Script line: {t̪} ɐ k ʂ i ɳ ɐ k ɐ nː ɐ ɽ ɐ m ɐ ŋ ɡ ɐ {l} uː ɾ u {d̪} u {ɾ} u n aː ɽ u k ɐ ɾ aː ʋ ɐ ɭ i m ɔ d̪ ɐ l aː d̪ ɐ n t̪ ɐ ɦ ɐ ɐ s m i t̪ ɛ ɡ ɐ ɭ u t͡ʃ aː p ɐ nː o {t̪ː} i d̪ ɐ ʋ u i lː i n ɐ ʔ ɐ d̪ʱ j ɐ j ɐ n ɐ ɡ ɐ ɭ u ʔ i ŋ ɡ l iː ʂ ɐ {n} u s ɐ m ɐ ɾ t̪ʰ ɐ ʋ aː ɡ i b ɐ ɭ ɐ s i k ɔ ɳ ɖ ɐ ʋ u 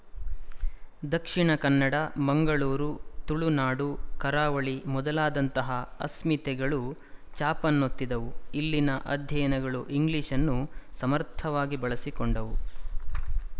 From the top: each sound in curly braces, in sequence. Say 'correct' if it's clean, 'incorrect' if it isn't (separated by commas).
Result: incorrect, incorrect, incorrect, incorrect, correct, incorrect